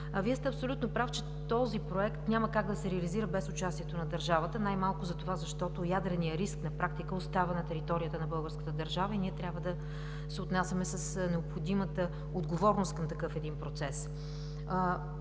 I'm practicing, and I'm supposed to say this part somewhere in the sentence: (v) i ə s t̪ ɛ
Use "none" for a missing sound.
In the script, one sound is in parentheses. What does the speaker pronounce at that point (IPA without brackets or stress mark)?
v